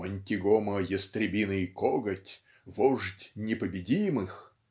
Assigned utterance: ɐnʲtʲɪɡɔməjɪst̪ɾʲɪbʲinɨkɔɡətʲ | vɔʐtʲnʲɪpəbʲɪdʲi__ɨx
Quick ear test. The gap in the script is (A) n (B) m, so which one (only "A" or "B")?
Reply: B